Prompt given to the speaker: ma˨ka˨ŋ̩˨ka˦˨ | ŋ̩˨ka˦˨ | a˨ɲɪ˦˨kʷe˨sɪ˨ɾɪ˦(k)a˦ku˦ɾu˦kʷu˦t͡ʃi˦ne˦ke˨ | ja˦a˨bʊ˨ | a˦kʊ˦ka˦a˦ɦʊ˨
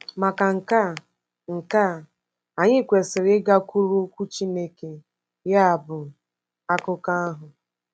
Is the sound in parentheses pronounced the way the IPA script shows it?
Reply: no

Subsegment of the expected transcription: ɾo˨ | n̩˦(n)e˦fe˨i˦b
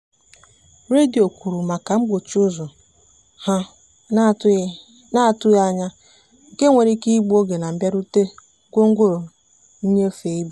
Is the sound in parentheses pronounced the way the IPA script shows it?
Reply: no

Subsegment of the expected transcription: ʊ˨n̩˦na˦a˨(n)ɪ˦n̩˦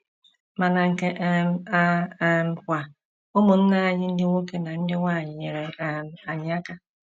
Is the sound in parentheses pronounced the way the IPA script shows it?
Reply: no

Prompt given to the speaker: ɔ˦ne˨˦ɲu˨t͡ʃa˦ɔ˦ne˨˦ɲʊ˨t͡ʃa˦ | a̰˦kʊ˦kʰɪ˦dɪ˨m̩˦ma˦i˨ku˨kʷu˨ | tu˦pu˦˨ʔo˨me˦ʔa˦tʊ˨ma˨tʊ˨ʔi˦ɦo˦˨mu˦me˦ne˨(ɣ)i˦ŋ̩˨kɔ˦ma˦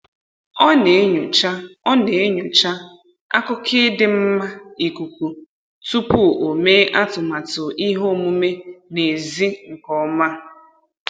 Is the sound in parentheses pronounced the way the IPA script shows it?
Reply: no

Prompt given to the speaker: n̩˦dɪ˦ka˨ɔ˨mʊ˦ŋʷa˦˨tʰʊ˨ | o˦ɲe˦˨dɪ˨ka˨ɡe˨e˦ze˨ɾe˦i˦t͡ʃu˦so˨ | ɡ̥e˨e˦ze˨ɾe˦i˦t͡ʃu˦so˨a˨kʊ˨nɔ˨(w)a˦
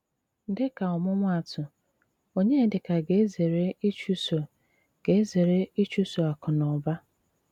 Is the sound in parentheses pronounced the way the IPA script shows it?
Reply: no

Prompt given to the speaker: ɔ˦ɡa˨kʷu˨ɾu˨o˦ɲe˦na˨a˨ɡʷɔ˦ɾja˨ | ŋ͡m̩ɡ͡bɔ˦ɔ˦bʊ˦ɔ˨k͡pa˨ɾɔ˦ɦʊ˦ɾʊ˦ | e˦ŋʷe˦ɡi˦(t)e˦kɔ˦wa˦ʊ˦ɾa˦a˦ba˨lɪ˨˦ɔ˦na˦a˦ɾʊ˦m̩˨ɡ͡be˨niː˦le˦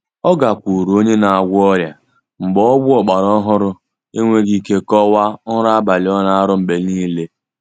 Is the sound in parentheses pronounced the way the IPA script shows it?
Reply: no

